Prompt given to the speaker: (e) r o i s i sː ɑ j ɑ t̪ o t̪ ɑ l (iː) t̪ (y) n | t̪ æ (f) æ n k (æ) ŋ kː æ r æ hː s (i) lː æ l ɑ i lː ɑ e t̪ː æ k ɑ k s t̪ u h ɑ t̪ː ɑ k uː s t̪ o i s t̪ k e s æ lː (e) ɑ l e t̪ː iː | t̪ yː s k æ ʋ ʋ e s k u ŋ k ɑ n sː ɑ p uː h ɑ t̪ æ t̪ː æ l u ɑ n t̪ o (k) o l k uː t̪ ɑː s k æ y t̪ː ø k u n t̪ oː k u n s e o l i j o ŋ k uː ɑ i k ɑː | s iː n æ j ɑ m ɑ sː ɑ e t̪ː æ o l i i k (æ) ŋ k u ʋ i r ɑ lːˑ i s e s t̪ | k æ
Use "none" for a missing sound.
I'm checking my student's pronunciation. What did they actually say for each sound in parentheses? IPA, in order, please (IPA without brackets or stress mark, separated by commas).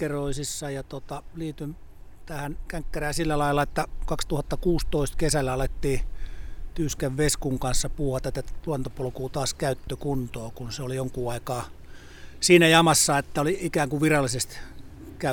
e, iː, y, h, æ, i, æ, p, æː